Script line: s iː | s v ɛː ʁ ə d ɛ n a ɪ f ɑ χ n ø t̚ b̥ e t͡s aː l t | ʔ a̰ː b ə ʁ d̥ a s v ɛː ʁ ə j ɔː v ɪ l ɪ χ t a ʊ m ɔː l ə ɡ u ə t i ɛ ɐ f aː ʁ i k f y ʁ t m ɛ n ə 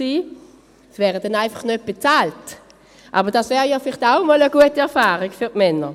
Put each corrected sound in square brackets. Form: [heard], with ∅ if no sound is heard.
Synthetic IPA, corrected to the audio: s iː | s v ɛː ʁ ə d ɛ n a ɪ f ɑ χ n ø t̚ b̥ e t͡s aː l t | ʔ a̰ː b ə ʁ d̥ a s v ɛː ʁ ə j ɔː [f] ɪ l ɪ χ t a ʊ m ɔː l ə ɡ u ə t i ɛ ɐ f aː ʁ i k f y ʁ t m ɛ n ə